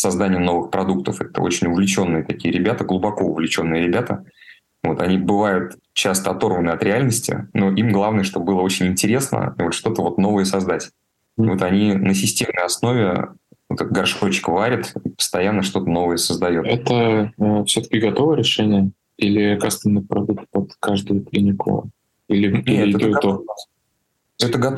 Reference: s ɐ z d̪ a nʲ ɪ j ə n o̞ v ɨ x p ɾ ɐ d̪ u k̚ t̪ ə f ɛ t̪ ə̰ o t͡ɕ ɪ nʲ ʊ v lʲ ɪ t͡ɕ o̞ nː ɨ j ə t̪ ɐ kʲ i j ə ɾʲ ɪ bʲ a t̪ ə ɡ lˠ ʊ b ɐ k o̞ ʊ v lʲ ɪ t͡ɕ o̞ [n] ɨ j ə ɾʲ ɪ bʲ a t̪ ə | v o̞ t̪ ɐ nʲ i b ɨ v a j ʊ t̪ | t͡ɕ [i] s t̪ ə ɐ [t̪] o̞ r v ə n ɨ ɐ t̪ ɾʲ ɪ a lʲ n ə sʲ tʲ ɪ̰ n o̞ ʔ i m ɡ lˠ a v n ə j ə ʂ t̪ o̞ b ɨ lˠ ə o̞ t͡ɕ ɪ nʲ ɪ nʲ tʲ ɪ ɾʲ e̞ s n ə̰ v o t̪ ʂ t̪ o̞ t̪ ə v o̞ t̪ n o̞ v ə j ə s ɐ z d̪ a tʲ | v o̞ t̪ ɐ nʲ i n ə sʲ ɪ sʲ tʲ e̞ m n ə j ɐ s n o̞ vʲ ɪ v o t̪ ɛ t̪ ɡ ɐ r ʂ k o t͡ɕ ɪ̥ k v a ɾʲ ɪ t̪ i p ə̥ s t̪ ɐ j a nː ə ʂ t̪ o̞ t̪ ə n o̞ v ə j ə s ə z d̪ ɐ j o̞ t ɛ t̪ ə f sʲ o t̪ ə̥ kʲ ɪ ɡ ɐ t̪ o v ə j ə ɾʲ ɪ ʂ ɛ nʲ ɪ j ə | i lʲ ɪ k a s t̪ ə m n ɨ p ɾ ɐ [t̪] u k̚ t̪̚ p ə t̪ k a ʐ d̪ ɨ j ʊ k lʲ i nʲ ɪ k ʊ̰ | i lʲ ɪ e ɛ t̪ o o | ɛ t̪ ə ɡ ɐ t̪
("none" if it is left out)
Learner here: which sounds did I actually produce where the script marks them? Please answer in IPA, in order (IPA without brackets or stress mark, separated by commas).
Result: nː, a, t̪, d̪